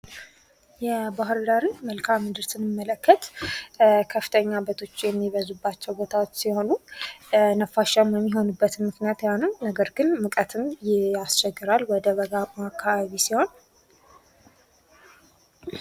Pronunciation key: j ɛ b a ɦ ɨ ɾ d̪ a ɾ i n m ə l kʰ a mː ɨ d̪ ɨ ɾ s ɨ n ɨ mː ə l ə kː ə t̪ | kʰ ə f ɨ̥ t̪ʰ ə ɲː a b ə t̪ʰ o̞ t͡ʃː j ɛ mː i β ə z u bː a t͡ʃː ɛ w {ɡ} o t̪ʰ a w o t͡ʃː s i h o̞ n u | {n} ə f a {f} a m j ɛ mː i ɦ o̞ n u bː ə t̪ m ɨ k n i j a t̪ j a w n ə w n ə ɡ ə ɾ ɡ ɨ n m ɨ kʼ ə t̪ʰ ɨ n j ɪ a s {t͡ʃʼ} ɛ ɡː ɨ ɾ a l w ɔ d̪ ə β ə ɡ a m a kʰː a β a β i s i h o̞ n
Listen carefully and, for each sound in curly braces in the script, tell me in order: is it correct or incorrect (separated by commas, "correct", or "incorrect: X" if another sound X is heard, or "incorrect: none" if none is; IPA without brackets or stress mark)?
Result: incorrect: b, correct, incorrect: ʃ, incorrect: t͡ʃ